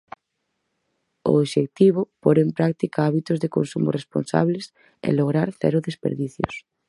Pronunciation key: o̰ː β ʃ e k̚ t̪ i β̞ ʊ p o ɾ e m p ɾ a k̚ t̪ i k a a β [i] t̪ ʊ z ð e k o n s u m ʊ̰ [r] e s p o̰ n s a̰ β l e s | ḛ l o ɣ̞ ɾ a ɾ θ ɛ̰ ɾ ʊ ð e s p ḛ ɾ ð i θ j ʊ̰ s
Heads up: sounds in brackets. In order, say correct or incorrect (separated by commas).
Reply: correct, correct